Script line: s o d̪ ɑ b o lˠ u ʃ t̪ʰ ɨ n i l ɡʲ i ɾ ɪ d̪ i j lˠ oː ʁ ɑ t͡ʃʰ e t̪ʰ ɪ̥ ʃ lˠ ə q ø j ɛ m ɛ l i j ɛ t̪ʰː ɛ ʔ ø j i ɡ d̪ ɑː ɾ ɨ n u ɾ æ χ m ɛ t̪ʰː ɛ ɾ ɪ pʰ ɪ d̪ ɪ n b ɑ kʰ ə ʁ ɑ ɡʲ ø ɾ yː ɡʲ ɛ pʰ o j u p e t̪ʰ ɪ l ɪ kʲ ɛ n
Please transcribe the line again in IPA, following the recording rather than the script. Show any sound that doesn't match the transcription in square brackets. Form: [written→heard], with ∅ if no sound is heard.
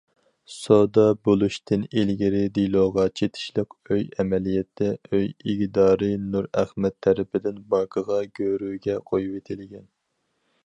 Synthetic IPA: s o d̪ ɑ b o lˠ u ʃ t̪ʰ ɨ n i l ɡʲ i ɾ ɪ d̪ i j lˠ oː ʁ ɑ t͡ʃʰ e t̪ʰ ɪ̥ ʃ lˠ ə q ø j ɛ m ɛ l i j ɛ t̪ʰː ɛ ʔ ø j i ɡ d̪ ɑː ɾ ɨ n u ɾ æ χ m ɛ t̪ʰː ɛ ɾ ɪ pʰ ɪ d̪ ɪ n b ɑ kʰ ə ʁ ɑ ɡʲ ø ɾ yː ɡʲ ɛ [pʰ→qʰ] o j u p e t̪ʰ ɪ l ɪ [kʲ→ɡʲ] ɛ n